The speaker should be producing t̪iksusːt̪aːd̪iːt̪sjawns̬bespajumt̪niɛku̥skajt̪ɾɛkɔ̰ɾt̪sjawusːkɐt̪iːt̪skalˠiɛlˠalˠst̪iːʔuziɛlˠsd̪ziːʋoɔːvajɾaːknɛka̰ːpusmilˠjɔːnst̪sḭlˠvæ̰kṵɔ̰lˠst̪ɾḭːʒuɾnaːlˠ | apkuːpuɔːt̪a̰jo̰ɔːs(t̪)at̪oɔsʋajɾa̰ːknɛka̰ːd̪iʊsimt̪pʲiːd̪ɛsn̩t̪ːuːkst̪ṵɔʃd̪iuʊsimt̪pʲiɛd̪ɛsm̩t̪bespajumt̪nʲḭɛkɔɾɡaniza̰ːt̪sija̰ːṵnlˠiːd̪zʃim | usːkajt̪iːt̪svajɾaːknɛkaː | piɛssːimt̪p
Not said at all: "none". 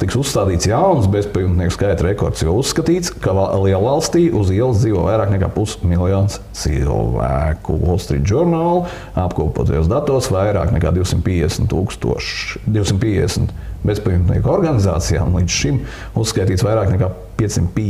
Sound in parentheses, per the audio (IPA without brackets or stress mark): d̪